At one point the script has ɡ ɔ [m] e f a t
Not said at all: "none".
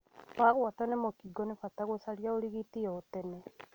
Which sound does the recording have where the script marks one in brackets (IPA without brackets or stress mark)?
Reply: n